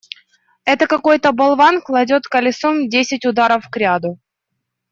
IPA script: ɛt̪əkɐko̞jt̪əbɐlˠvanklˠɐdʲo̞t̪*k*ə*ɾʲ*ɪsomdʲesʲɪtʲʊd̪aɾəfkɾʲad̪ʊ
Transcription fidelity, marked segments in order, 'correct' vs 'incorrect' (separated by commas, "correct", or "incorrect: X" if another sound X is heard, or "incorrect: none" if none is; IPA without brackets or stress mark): correct, incorrect: lʲ